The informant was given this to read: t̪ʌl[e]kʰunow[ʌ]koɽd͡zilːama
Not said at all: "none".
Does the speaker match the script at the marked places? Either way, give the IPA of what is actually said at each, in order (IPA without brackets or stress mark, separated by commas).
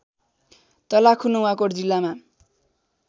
a, a